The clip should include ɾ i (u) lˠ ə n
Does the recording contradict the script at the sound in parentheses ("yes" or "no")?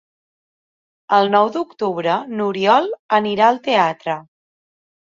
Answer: yes